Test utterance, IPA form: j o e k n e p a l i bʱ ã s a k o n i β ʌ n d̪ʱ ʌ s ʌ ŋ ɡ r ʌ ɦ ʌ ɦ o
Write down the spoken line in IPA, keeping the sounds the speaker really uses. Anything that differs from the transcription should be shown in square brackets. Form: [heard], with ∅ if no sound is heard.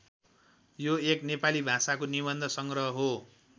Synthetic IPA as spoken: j o e k n e p a l i bʱ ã s a k o n i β ʌ n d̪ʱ ʌ s ʌ ŋ ɡ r ʌ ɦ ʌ ɦ o